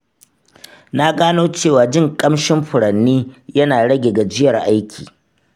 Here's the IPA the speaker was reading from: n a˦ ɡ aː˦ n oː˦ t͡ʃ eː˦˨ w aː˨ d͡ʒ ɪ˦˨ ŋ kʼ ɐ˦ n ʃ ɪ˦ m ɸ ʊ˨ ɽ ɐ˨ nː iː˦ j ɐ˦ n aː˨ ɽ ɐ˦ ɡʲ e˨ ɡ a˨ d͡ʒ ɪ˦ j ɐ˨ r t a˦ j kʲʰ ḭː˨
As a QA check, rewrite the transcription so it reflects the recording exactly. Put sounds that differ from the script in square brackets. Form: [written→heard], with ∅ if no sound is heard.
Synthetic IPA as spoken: n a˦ ɡ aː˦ n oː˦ t͡ʃ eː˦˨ w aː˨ d͡ʒ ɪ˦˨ ŋ kʼ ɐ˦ [n→m] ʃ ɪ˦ m ɸ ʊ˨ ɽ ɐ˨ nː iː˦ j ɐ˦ n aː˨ ɽ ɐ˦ ɡʲ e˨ ɡ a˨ d͡ʒ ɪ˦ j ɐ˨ r [t→ʔ] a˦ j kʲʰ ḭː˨